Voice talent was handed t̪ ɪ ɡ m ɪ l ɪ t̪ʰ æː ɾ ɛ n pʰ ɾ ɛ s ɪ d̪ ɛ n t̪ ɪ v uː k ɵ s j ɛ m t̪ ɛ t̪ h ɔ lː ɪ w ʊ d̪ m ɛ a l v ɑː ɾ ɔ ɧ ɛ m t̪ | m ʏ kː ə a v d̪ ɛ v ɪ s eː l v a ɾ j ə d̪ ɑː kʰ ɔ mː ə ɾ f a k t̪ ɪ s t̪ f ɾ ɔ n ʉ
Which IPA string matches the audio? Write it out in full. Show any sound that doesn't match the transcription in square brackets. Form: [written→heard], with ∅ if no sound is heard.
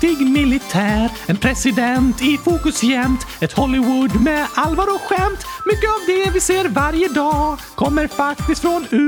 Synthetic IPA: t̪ ɪ ɡ m ɪ l ɪ t̪ʰ æː ɾ ɛ n pʰ ɾ ɛ s ɪ d̪ ɛ n t̪ ɪ [v→f] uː k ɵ s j ɛ m t̪ ɛ t̪ h ɔ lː ɪ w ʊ d̪ m ɛ a l v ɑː ɾ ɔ ɧ ɛ m t̪ | m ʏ kː ə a v d̪ ɛ v ɪ s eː [l→ɾ] v a ɾ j ə d̪ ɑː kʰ ɔ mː ə ɾ f a k t̪ ɪ s t̪ f ɾ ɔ n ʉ